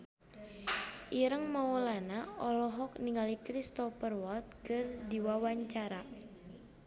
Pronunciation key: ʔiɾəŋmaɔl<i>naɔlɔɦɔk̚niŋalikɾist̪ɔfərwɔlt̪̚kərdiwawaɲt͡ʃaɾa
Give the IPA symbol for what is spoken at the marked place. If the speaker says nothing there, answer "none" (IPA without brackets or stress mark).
a